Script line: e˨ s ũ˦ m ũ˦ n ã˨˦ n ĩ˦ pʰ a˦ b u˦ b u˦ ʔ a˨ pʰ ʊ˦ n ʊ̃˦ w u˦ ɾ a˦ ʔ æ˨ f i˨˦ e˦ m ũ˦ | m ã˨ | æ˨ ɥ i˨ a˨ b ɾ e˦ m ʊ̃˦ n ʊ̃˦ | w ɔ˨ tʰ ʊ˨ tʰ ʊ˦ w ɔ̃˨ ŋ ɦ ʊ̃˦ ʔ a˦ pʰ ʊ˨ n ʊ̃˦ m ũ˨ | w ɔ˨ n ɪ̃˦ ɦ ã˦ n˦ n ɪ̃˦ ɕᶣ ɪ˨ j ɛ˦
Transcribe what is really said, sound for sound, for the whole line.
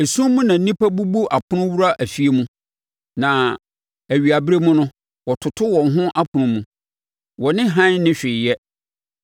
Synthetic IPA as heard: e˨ s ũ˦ m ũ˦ n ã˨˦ n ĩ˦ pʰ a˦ b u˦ b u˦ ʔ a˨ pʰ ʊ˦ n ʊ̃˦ w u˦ ɾ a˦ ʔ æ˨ f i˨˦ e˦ m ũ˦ | n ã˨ | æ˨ ɥ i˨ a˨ b ɾ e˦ m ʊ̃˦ n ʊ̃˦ | w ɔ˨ tʰ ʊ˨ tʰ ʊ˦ w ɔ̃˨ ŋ ɦ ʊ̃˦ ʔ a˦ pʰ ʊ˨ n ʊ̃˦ m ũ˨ | w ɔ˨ n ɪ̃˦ ɦ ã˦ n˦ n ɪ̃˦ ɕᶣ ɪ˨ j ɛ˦